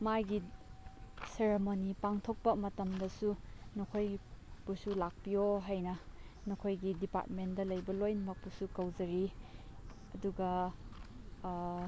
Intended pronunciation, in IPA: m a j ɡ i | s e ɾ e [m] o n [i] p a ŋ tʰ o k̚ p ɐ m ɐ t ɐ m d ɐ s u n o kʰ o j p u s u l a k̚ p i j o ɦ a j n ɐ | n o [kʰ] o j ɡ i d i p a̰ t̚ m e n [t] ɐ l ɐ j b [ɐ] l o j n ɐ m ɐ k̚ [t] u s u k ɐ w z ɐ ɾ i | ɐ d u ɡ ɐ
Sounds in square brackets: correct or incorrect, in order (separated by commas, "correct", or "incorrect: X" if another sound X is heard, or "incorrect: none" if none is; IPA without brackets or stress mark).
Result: correct, correct, correct, incorrect: d, correct, incorrect: p